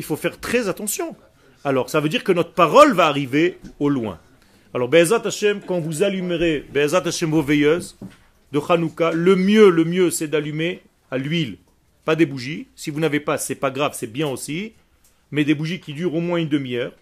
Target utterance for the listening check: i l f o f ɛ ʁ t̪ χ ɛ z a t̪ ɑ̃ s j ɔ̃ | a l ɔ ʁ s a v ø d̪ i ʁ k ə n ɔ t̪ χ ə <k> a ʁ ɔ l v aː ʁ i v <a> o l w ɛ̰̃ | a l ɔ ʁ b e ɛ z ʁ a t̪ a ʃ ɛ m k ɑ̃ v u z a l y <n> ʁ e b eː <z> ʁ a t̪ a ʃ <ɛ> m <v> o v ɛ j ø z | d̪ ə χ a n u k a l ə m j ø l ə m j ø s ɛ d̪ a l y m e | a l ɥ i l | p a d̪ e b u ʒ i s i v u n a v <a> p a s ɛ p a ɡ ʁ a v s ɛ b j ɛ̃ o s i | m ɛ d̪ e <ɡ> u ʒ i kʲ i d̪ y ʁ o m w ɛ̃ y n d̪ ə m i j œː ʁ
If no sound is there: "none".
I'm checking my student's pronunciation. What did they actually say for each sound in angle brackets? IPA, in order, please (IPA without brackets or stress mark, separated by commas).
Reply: p, e, m, z, ɛ, v, e, b